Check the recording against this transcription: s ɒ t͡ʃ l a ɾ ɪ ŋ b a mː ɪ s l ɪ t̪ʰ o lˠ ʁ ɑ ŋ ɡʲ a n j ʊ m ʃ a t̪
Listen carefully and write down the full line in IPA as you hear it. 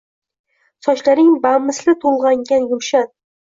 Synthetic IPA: s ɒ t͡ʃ l a ɾ ɪ ŋ b a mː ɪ s l ɪ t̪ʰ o lˠ ʁ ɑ ŋ ɡʲ a n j ʊ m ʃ a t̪